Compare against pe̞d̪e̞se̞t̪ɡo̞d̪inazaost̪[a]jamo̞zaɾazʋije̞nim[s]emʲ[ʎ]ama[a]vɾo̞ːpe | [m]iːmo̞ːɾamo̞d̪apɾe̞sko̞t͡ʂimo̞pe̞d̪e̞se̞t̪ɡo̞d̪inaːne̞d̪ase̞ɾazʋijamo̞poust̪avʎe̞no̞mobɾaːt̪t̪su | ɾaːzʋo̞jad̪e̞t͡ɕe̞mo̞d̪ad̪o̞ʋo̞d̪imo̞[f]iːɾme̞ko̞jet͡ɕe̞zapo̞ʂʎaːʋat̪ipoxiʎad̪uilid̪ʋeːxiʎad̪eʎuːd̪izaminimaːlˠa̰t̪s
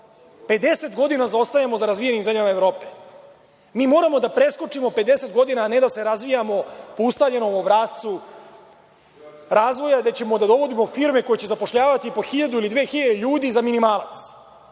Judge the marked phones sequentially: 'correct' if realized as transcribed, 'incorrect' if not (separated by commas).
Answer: correct, incorrect, correct, incorrect, correct, correct